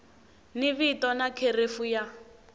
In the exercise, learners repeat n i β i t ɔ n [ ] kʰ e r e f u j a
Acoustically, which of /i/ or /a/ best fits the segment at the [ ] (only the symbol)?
a